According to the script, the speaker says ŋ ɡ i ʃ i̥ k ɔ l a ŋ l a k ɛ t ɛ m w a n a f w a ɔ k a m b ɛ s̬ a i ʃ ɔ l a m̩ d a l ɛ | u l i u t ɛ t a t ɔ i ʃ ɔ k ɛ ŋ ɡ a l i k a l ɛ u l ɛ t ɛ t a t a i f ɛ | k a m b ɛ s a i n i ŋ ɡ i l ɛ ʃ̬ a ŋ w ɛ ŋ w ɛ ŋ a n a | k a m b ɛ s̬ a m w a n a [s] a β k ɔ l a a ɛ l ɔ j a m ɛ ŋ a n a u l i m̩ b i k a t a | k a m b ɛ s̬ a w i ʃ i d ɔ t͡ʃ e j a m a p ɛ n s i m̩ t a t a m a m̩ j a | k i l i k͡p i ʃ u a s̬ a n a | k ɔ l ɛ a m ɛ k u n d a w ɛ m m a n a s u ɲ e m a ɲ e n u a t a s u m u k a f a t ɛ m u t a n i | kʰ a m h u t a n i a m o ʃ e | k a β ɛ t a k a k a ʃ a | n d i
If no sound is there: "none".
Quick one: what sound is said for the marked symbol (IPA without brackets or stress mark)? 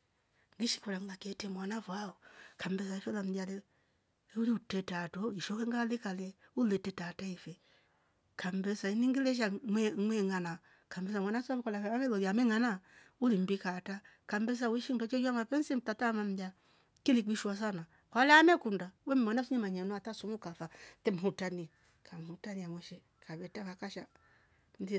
s